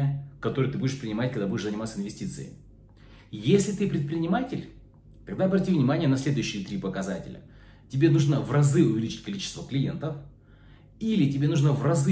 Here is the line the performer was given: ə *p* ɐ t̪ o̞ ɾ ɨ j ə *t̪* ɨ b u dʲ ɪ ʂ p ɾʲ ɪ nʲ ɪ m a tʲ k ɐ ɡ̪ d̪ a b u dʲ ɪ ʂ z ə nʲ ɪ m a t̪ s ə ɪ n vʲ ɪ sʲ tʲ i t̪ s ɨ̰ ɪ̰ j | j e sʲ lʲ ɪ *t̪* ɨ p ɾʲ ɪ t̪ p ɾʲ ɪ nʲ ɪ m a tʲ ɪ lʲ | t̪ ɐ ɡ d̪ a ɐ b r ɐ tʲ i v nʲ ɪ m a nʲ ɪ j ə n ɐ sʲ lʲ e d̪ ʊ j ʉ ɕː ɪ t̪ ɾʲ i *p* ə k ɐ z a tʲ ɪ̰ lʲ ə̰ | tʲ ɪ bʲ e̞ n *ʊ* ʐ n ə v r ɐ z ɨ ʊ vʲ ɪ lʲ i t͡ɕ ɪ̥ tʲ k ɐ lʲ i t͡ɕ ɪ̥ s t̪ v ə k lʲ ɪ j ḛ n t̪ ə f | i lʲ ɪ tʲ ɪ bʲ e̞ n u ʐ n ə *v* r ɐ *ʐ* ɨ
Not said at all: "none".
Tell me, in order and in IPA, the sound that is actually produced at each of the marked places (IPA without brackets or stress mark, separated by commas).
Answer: k, t̪, t̪, p, u, v, z